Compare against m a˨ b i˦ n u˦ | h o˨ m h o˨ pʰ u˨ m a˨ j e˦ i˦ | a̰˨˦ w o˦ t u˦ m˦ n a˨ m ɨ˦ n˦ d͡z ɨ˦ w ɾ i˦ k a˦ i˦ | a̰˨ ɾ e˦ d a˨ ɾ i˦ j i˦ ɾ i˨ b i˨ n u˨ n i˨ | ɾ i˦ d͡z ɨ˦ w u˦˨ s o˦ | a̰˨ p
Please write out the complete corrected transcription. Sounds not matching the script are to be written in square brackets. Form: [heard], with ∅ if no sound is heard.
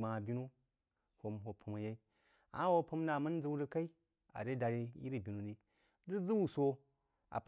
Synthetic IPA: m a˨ b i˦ n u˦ | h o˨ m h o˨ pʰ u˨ m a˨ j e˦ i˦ | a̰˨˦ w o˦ [p] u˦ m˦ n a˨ m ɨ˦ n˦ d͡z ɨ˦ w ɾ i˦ k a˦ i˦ | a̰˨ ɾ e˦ d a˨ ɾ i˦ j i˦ ɾ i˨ b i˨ n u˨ n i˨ | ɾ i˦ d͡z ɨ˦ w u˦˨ s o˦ | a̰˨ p